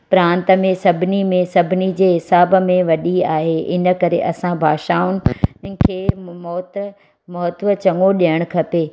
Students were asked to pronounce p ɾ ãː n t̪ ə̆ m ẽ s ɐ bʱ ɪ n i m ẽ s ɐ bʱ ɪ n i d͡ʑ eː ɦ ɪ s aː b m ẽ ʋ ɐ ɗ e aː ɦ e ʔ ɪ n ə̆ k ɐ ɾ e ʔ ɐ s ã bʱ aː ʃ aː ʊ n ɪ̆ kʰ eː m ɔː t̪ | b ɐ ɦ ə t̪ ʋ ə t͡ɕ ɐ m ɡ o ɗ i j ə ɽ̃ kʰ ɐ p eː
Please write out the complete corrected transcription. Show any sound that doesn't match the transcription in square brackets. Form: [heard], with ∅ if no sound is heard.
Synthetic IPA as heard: p ɾ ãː n t̪ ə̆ m ẽ s ɐ bʱ ɪ n i m ẽ s ɐ bʱ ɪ n i d͡ʑ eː ɦ ɪ s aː b m ẽ ʋ ɐ ɗ [i] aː ɦ e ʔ ɪ n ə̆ k ɐ ɾ e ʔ ɐ s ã bʱ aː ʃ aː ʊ n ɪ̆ kʰ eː m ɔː t̪ | [m] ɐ ɦ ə t̪ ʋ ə t͡ɕ ɐ [ŋ] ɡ o ɗ i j ə ɽ̃ kʰ ɐ p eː